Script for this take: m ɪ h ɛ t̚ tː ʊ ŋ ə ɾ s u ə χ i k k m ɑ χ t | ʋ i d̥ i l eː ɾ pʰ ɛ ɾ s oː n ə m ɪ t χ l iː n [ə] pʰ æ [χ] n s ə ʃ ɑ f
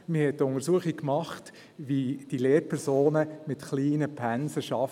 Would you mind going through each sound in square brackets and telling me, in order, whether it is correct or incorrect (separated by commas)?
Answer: correct, incorrect